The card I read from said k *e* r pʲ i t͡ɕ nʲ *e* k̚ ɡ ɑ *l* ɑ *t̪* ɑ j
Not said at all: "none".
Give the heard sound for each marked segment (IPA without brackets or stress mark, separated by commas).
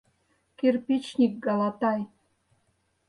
e, i, l, t̪